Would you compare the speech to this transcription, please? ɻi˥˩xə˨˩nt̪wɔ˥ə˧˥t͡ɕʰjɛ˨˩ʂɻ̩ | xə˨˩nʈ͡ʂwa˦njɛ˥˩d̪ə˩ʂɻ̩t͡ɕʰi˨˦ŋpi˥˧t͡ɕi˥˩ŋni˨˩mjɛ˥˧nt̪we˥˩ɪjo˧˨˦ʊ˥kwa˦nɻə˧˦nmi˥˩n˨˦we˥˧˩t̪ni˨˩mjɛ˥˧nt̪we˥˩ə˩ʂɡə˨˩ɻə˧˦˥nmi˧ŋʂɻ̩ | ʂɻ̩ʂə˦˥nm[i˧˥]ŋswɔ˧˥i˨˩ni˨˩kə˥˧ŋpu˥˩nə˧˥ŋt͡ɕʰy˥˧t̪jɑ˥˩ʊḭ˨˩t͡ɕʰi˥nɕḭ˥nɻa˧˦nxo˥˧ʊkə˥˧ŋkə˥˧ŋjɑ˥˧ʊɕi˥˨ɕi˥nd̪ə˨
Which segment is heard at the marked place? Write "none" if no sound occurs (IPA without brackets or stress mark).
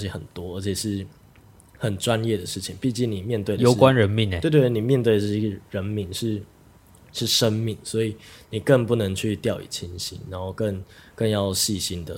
i˥˨˩